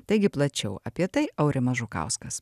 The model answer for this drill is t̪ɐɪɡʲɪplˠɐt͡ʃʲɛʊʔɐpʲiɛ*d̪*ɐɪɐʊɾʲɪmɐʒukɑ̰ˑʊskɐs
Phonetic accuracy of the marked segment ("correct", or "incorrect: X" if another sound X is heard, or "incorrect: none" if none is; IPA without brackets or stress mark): incorrect: t̪